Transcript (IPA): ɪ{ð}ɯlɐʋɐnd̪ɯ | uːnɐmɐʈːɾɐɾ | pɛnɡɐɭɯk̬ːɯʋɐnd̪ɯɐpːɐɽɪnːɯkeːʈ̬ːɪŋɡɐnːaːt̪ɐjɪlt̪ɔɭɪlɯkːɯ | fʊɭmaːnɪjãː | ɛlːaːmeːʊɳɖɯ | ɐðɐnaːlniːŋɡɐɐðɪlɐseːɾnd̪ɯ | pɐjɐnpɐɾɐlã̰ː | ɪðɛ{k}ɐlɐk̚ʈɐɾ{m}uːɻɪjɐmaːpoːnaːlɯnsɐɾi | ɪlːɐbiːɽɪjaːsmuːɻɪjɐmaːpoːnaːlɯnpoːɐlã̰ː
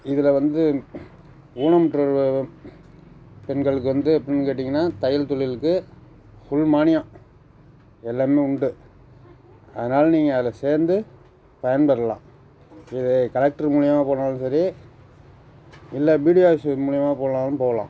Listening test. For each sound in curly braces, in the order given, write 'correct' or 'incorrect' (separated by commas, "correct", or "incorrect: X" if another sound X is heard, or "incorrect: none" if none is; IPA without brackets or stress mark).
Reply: correct, correct, correct